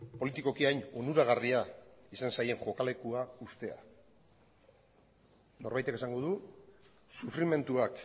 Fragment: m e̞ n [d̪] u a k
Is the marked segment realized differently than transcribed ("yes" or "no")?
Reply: yes